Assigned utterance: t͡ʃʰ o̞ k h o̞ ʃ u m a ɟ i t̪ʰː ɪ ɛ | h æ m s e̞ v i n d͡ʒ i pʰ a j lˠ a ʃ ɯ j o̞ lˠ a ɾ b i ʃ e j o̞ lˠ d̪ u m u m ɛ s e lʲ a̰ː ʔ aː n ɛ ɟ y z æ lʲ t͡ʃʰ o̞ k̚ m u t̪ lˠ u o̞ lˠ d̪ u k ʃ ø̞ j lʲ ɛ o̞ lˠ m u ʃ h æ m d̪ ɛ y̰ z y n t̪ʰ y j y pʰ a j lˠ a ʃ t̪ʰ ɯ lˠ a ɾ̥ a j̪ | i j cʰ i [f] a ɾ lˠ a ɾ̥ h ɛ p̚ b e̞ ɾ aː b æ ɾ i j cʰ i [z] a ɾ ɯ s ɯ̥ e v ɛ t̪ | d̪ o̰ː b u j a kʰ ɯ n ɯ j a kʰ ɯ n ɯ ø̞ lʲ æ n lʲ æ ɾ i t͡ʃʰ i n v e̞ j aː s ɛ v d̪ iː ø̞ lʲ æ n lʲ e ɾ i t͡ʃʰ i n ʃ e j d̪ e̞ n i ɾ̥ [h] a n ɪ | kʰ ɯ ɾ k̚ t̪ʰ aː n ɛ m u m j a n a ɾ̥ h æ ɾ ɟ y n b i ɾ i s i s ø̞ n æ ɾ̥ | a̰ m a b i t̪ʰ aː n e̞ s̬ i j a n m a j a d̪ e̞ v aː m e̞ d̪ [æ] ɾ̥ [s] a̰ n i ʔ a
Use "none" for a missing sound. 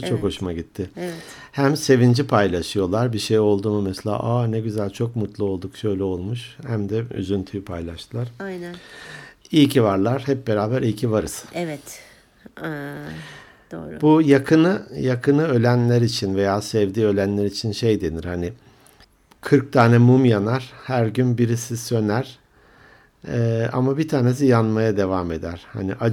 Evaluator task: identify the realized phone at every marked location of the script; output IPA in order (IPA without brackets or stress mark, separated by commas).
v, v, h, æ, h